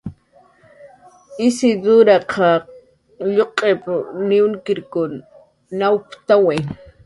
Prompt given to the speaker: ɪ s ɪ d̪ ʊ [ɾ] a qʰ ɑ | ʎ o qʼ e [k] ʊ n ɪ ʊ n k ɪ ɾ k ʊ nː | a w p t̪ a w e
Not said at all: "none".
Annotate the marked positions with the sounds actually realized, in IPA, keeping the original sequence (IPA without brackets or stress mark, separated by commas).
ɾ, p